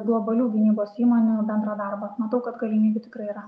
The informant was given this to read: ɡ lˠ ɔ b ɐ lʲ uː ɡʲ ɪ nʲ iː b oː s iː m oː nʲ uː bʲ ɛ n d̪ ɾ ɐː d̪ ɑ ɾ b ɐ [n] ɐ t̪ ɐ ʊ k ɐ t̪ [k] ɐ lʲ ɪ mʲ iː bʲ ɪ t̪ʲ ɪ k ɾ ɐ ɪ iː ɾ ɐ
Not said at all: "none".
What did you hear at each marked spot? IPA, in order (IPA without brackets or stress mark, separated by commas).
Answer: m, ɡ